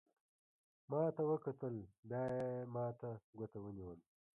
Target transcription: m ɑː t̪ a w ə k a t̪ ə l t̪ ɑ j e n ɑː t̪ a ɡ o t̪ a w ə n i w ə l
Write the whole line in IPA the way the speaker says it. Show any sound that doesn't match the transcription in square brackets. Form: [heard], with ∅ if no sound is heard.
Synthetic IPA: m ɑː t̪ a w ə k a t̪ ə l [d̪] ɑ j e [m] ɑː t̪ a ɡ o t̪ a w ə n i w ə l